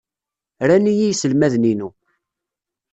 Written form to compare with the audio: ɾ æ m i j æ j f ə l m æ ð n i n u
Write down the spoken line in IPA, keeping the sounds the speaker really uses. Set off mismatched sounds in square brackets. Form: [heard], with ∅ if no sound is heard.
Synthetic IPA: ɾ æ [n] i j [i] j [s] ə l m æ ð n i n u